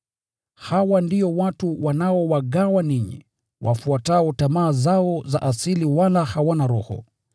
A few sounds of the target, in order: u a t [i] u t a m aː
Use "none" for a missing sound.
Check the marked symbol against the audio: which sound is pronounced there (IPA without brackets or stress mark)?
a